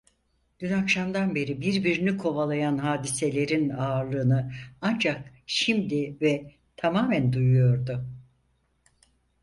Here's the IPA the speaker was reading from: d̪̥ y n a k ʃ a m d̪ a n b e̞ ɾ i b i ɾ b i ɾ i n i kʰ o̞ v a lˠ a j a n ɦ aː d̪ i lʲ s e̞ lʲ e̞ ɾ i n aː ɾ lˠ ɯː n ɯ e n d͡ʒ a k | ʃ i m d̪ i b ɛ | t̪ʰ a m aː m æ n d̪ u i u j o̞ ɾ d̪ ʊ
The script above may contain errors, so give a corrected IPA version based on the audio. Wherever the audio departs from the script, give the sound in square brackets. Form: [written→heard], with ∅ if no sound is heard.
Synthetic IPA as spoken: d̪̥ y n a k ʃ a m d̪ a n b e̞ ɾ i b i ɾ b i ɾ i n i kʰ o̞ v a lˠ a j a n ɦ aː d̪ i [lʲ→∅] s e̞ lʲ e̞ ɾ i n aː ɾ lˠ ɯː n ɯ [e→a] n d͡ʒ a k | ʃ i m d̪ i [b→v] ɛ | t̪ʰ a m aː m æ n d̪ u [i→j] u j o̞ ɾ d̪ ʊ